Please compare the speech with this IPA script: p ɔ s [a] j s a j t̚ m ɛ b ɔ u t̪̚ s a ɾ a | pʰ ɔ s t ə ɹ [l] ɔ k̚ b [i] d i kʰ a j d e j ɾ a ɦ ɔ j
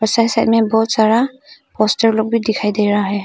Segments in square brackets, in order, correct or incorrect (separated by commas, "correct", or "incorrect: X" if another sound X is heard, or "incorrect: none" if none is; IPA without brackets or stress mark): correct, correct, correct